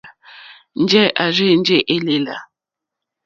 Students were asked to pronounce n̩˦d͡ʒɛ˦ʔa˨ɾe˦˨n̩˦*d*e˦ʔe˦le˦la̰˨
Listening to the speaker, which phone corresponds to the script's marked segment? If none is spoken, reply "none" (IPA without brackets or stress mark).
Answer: d͡ʒ